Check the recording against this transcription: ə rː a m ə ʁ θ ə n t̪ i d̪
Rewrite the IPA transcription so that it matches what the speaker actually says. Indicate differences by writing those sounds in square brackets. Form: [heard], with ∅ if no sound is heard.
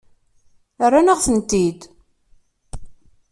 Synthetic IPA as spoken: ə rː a [n] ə ʁ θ ə n t̪ i d̪

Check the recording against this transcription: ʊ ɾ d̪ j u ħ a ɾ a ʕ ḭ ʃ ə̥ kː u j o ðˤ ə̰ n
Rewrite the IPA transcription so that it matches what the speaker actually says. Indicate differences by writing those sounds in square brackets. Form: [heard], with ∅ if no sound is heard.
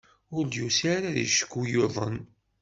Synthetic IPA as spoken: ʊ ɾ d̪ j u [s] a ɾ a [ð] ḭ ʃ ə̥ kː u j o ðˤ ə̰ n

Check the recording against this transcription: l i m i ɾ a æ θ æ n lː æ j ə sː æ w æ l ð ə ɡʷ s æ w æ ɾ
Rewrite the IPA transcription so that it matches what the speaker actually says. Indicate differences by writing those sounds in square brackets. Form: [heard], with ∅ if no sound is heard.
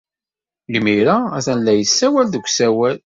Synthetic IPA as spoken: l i m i ɾ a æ θ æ n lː æ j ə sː æ w æ l ð ə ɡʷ s æ w æ [l]

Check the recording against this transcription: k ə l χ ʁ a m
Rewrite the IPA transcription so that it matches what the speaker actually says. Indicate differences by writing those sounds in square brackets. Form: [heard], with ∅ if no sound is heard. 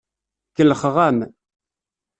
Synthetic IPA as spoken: k ə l χ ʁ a m

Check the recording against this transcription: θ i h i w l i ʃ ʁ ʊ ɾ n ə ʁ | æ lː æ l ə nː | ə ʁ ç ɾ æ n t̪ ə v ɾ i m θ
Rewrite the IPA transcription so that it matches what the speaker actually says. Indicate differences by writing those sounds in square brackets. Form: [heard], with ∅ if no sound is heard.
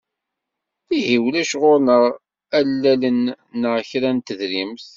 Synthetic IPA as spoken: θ i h i w l [æ] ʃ ʁ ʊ ɾ n ə ʁ | æ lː æ l ə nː | ə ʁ ç ɾ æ n t̪ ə [ð] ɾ i m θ

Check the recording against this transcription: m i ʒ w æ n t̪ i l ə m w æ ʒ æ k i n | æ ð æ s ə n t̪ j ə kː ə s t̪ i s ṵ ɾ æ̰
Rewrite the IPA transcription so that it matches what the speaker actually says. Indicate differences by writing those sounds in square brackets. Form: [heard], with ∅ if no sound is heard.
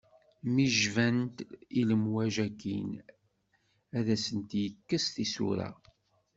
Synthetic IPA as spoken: m i ʒ [v] æ n t̪ i l ə m w æ ʒ æ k i n | æ ð æ s ə n t̪ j ə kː ə s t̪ i s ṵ ɾ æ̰

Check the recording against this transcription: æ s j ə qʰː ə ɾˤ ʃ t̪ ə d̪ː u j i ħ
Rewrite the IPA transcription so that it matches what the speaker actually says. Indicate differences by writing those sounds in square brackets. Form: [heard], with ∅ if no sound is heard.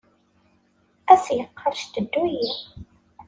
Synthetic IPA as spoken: æ s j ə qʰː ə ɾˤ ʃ t̪ ə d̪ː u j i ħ

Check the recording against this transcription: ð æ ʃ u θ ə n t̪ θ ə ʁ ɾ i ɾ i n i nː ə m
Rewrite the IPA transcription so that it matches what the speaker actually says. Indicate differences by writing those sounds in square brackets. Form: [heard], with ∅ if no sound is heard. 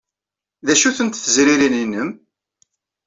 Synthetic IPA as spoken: ð æ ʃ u θ ə n t̪ θ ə [z] ɾ i ɾ i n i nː ə m

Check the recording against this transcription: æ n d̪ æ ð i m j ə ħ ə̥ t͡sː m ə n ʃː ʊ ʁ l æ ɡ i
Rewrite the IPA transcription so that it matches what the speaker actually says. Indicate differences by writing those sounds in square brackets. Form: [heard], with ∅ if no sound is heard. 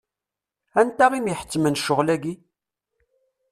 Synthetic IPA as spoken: æ n [t̪] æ [ʁ] i m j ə ħ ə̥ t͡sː m ə n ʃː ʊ ʁ l æ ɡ i

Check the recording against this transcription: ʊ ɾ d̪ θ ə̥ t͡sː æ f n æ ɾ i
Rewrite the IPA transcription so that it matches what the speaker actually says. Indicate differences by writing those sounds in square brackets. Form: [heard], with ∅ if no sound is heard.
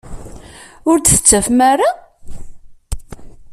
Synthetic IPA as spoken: ʊ ɾ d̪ θ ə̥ t͡sː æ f [m] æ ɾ [a]

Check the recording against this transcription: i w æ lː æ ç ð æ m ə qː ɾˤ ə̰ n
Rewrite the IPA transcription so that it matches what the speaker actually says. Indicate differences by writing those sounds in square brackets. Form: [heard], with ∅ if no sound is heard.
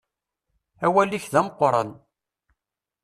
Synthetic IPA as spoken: [æ] w æ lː [i] ç ð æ m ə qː ɾˤ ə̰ n

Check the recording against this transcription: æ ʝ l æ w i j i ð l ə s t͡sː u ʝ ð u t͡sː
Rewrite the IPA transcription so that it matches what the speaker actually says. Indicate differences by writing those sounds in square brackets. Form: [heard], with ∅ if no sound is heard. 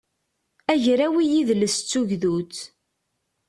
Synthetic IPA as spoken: æ ʝ [ɾ] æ w i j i ð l ə s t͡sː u ʝ ð u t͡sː

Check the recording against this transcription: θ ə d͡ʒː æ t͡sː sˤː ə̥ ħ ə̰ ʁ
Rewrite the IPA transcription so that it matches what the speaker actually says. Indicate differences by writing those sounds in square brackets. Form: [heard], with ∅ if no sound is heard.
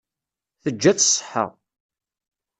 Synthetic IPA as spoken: θ ə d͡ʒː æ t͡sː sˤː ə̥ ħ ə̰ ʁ

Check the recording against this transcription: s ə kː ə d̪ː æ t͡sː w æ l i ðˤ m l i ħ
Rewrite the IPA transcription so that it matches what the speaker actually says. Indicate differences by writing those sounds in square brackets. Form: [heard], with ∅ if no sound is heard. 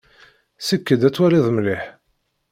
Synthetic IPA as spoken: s ə kː ə [d̪] æ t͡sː w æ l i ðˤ m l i ħ

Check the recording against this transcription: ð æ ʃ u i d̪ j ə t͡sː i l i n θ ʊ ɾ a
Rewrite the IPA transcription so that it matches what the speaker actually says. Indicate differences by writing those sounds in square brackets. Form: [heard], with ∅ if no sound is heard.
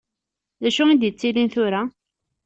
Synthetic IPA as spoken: ð æ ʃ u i d̪ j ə t͡sː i l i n θ ʊ ɾ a

